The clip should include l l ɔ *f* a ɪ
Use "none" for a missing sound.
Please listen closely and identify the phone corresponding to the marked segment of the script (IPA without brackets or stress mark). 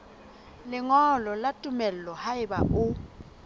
h